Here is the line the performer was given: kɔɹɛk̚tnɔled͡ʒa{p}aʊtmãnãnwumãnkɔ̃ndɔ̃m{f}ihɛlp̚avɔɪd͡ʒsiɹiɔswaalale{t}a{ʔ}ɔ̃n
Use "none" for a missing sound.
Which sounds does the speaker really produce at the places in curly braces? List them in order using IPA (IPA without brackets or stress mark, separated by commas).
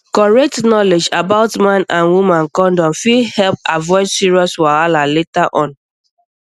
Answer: b, f, t, ʔ